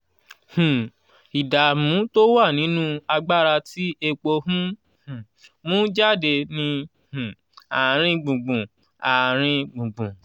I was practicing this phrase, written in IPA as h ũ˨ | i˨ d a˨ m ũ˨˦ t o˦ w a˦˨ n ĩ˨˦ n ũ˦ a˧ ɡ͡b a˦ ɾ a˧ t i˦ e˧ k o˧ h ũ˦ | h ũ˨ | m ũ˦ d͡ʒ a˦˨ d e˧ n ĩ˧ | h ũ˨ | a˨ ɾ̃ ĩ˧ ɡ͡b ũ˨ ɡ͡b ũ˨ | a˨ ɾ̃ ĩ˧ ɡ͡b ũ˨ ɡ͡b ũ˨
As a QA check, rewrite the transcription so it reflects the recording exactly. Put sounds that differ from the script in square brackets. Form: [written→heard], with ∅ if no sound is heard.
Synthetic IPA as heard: h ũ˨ | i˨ d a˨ m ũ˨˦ t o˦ w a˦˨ n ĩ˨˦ n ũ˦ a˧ ɡ͡b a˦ ɾ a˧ t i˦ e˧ [k→k͡p] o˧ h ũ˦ | h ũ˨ | m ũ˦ d͡ʒ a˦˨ d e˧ n ĩ˧ | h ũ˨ | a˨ ɾ̃ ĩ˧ ɡ͡b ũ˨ ɡ͡b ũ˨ | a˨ ɾ̃ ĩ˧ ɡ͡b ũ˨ ɡ͡b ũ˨